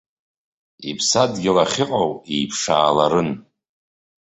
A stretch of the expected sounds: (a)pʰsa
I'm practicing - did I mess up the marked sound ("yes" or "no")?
yes